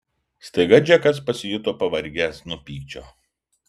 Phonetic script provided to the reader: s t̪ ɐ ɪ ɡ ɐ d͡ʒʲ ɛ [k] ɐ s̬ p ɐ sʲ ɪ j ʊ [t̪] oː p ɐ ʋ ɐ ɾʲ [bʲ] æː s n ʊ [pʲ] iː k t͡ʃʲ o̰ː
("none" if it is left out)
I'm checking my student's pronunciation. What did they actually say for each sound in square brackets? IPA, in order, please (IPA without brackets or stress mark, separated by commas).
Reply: k, t̪, ɡʲ, pʲ